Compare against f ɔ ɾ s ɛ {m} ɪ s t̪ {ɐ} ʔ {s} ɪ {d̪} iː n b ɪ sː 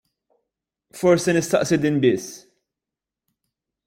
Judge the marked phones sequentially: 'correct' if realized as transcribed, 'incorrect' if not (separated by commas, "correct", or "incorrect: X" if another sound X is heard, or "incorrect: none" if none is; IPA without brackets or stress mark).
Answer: incorrect: n, correct, correct, correct